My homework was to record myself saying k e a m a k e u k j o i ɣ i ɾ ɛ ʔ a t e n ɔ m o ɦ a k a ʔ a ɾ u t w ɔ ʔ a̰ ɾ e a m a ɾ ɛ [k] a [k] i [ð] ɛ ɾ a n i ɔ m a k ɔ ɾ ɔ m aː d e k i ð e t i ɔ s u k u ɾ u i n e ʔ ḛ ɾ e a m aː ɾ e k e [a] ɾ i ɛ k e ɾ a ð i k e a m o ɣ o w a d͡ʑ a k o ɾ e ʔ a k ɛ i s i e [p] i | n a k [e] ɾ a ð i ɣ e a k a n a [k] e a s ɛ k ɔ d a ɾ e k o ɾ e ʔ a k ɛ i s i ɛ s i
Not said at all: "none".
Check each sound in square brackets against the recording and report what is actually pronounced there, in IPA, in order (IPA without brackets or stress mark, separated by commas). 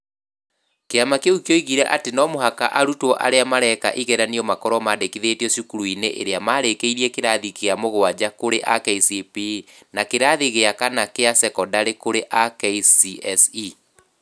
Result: k, ʔ, ɣ, i, p, e, k